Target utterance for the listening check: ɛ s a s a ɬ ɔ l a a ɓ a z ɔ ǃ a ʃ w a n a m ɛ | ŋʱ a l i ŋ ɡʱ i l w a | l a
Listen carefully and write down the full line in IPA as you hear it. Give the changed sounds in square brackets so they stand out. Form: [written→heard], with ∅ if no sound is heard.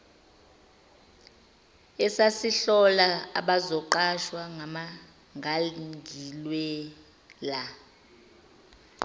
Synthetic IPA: ɛ s a s [a→i] ɬ ɔ l a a ɓ a z ɔ ǃ a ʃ w a [n→ŋ] a m [ɛ→a] | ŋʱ a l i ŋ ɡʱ i l w [a→ɛ] | l a